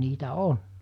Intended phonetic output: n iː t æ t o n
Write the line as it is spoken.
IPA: n iː t æ o n